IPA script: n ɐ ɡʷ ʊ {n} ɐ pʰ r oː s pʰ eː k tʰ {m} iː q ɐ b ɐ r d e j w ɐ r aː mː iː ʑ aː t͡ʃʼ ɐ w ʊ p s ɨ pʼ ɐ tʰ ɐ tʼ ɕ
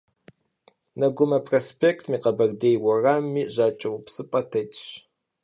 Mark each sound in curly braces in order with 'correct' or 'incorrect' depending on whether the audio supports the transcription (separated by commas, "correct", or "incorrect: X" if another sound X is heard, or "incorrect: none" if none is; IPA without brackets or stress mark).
incorrect: m, correct